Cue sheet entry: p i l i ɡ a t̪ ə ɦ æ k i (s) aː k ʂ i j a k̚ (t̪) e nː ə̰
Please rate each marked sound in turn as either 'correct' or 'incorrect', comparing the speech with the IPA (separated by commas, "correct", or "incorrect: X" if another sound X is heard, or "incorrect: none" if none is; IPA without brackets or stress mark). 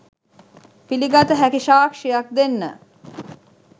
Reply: incorrect: ʃ, incorrect: d̪